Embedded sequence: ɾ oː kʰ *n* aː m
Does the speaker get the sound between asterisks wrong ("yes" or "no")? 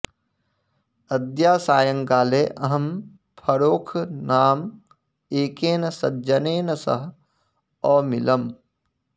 no